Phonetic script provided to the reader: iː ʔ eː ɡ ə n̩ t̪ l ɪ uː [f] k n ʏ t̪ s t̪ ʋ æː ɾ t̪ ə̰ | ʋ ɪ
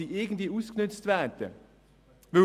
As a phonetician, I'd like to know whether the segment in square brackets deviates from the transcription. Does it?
yes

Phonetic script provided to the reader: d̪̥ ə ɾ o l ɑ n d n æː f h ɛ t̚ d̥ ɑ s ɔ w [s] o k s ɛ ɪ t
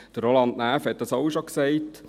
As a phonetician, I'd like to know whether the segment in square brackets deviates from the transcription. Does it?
yes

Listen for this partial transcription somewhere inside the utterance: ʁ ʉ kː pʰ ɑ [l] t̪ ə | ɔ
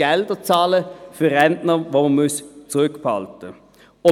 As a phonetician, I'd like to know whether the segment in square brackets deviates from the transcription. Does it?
no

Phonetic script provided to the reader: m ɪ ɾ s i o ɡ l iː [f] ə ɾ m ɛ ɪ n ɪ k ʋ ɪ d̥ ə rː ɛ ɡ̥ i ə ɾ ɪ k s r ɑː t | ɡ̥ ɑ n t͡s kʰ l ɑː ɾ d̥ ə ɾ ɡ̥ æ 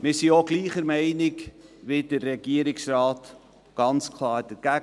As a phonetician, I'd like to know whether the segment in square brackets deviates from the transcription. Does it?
yes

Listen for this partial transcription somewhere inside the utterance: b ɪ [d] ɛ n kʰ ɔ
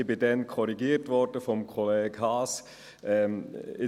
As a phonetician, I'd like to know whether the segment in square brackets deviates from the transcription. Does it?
no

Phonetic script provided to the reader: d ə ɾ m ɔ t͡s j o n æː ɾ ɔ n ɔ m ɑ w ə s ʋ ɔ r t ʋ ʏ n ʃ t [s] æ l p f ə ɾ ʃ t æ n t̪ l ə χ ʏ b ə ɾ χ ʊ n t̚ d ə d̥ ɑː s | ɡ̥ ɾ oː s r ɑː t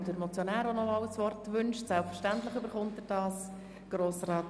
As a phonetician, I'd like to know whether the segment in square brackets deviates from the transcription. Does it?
no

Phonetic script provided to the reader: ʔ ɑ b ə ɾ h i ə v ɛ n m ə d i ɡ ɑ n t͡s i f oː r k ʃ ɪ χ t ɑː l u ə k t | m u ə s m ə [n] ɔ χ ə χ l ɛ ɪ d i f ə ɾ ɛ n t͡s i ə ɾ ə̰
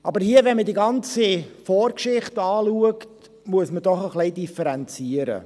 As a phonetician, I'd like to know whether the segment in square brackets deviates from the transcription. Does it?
yes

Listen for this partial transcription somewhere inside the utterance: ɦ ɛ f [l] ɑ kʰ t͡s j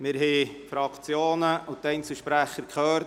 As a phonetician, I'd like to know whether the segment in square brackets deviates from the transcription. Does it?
yes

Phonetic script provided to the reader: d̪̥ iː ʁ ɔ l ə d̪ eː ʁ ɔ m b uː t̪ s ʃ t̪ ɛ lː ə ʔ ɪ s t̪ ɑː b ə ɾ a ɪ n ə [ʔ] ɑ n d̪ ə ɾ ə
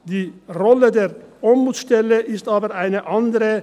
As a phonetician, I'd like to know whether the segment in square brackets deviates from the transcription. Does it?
no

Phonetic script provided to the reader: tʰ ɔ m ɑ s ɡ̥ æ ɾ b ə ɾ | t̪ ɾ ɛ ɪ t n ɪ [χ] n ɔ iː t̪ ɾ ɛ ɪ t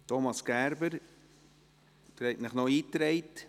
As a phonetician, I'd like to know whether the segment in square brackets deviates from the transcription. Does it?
no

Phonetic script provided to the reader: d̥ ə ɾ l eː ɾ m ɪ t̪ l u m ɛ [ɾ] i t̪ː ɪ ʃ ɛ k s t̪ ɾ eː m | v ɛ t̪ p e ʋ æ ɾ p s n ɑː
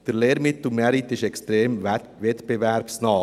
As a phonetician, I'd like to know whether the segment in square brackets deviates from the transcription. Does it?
no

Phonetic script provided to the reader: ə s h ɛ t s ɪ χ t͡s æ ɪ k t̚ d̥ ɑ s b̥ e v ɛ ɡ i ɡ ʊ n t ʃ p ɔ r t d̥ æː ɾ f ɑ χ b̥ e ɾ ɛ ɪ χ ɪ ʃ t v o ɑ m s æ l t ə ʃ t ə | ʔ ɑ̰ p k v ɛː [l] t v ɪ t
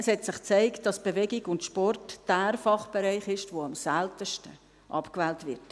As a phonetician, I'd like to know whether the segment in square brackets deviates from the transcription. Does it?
no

